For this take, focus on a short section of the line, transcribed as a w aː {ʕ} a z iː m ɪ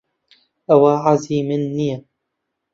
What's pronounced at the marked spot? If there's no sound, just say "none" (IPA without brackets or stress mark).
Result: ʕ